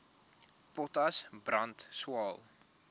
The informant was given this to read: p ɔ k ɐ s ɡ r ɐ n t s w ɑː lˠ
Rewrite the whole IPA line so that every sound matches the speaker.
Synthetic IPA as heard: p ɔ t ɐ s b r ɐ n t s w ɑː lˠ